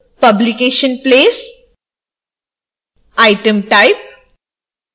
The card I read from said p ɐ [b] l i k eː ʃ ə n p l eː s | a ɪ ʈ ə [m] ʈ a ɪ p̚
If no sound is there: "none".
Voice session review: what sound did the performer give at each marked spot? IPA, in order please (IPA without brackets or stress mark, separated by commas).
b, m